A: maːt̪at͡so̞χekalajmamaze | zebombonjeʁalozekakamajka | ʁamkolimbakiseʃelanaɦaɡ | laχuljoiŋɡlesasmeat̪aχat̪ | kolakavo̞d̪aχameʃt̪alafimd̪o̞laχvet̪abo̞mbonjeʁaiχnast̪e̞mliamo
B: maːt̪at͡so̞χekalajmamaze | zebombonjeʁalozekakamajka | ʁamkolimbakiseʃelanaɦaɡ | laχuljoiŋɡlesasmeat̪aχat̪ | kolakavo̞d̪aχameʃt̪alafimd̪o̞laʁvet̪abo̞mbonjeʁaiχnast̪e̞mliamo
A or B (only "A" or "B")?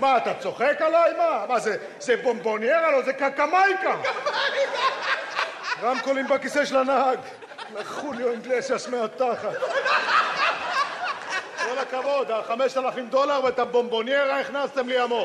B